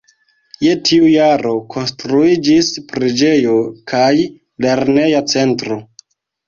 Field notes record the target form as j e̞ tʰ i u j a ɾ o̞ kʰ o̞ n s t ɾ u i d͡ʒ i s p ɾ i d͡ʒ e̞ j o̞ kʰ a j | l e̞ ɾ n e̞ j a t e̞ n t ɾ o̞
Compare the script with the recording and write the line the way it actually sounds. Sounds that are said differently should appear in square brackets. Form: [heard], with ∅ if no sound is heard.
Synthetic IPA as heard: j e̞ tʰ i u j a ɾ o̞ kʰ o̞ n s t ɾ u i d͡ʒ i s p ɾ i d͡ʒ e̞ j o̞ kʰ a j | l e̞ ɾ n e̞ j a [t͡s] e̞ n t ɾ o̞